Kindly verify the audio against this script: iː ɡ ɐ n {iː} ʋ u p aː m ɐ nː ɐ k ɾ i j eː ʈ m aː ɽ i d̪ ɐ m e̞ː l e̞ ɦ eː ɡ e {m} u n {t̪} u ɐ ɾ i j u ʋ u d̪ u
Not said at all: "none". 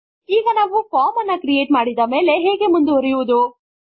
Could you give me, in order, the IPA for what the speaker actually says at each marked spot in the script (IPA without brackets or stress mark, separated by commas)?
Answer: aː, m, d̪